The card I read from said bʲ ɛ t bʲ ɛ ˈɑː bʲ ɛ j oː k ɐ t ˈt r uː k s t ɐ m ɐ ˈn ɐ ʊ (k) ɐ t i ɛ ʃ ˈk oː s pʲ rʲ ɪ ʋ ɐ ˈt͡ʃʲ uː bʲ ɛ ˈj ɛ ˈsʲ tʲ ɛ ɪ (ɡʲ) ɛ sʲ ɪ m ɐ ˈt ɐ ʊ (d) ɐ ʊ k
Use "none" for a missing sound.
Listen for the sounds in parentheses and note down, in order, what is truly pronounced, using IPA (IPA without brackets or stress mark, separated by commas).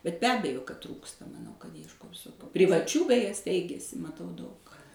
k, ɡʲ, d